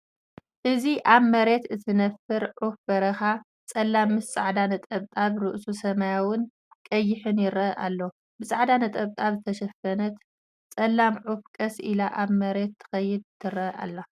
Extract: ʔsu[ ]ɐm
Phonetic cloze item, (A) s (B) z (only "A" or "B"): A